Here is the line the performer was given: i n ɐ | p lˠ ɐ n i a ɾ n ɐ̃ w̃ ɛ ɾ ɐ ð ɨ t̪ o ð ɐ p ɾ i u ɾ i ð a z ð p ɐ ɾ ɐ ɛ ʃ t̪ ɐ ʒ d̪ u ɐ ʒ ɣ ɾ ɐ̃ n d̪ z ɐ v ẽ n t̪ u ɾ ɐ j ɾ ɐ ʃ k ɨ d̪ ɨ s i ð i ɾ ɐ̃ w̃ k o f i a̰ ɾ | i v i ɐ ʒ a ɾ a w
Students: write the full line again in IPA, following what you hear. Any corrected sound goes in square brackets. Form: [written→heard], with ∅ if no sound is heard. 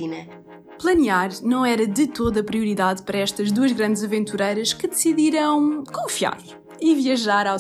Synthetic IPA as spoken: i n ɐ | p lˠ ɐ n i a ɾ n ɐ̃ w̃ ɛ ɾ ɐ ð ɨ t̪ o ð ɐ p ɾ i u ɾ i ð a [z→∅] ð p ɐ ɾ ɐ ɛ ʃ t̪ ɐ ʒ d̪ u ɐ ʒ ɣ ɾ ɐ̃ n d̪ z ɐ v ẽ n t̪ u ɾ ɐ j ɾ ɐ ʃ k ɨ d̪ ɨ s i ð i ɾ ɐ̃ w̃ k [o→õ] f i a̰ ɾ | i v i ɐ ʒ a ɾ a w